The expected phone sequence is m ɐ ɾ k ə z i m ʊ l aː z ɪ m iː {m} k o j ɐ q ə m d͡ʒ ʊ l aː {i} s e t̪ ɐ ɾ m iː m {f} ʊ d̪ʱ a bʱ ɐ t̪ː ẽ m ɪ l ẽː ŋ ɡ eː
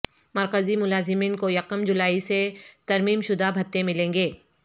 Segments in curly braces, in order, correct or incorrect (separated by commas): incorrect, correct, incorrect